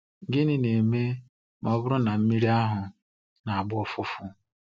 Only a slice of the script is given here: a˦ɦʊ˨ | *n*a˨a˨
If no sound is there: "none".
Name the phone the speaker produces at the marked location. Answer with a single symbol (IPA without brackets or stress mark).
n